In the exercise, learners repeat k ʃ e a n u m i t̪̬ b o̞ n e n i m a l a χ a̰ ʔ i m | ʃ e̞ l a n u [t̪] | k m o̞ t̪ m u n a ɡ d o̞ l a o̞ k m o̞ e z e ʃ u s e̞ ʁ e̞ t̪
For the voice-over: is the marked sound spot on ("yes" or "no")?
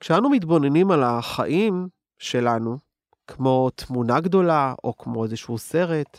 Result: no